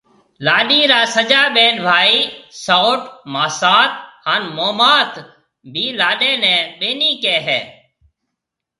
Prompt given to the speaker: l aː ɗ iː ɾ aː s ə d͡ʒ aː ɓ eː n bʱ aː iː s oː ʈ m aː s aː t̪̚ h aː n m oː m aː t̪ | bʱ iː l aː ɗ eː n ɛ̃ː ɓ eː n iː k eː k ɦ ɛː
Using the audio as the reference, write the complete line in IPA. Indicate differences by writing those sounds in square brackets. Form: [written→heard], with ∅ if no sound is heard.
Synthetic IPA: l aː ɗ iː ɾ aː s ə d͡ʒ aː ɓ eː n bʱ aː iː s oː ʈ m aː s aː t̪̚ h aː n m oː m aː t̪ | bʱ iː l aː ɗ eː n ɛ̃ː ɓ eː n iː k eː [k→∅] ɦ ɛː

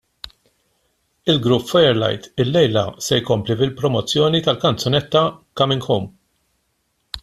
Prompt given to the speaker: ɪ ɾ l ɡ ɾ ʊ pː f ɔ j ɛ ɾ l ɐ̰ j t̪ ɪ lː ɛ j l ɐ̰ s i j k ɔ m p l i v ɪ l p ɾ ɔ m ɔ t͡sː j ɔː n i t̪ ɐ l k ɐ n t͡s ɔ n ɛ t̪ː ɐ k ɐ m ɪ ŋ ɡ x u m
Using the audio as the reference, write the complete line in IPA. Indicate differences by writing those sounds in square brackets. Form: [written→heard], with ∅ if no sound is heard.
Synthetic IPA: ɪ [ɾ→∅] l ɡ ɾ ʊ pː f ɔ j ɛ ɾ l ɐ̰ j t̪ ɪ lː ɛ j l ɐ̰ s [i→ɛ] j k ɔ m p l i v ɪ l p ɾ ɔ m ɔ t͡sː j ɔː n i t̪ ɐ l k ɐ n t͡s ɔ n ɛ t̪ː ɐ k ɐ m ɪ ŋ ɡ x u m

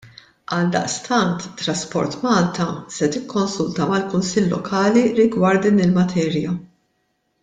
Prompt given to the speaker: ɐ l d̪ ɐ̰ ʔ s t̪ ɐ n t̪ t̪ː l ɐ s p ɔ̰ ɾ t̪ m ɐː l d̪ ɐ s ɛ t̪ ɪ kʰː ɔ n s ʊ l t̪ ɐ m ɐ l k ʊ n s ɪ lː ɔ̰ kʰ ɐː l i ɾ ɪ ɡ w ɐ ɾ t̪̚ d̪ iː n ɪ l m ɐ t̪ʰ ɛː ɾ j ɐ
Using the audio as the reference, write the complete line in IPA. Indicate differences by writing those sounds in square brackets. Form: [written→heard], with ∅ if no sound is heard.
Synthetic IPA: ɐ l d̪ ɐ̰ ʔ s t̪ ɐ n t̪ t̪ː [l→ɾ] ɐ s p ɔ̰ ɾ t̪ m ɐː l [d̪→t̪] ɐ s ɛ t̪ ɪ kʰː ɔ n s ʊ l t̪ ɐ m ɐ l k ʊ n s ɪ lː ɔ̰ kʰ ɐː l i ɾ ɪ ɡ w ɐ ɾ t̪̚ d̪ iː n ɪ l m ɐ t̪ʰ ɛː ɾ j ɐ

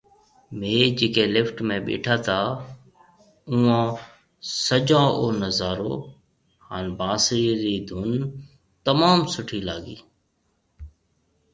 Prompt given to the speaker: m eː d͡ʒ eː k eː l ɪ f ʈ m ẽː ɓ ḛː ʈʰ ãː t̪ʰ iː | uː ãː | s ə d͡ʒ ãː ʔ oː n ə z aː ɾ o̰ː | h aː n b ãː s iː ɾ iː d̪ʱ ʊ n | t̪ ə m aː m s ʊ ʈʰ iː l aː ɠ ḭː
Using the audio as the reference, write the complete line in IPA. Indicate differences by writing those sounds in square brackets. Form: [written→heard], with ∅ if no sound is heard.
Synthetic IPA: m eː d͡ʒ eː k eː l ɪ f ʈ m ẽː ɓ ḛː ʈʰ [ãː→aː] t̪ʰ [iː→aː] | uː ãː | s ə d͡ʒ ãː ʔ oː n ə z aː ɾ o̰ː | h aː n b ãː s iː ɾ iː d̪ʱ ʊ n | t̪ ə m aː m s ʊ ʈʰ iː l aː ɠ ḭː

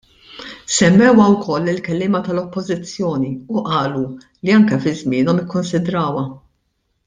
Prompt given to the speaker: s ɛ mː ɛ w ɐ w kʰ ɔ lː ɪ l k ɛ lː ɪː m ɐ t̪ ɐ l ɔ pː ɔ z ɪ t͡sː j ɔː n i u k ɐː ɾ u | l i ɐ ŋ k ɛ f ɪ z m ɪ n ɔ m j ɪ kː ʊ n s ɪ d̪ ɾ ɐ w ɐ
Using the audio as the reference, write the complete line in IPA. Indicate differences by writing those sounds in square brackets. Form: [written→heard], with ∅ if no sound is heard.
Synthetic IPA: s ɛ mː ɛ w ɐ w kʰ ɔ lː ɪ l k ɛ lː ɪː m ɐ t̪ ɐ l ɔ pː ɔ z ɪ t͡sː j ɔː n i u [k→ʔ] ɐː [ɾ→l] u | l i ɐ ŋ k ɛ f ɪ z m [ɪ→ɪː] n ɔ m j ɪ kː ʊ n s ɪ d̪ ɾ [ɐ→ɐː] w ɐ

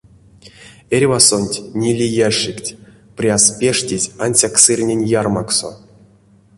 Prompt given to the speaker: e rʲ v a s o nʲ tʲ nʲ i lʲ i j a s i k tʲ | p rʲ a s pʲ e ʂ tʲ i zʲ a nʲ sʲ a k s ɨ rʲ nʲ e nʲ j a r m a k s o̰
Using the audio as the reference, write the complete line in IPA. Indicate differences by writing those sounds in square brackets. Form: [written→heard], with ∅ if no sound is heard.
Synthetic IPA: e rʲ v a s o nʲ tʲ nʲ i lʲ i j a [s→ʂ] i k tʲ | p rʲ a s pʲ e ʂ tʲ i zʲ a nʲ sʲ a k s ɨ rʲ nʲ e nʲ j a r m a k s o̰

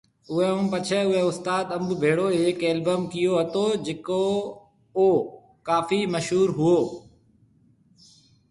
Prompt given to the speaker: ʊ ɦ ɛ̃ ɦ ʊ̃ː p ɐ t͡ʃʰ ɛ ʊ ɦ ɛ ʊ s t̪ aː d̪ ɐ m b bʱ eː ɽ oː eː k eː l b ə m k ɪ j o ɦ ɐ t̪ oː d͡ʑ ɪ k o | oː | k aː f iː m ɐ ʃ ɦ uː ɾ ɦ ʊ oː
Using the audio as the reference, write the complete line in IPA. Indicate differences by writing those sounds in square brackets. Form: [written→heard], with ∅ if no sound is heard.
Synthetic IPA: ʊ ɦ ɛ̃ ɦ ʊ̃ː p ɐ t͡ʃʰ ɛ ʊ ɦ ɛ ʊ s t̪ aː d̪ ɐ m b bʱ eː ɽ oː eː k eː l b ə m k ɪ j o ɦ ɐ t̪ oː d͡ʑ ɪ k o | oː | k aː f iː m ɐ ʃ ɦ uː ɾ ɦ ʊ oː

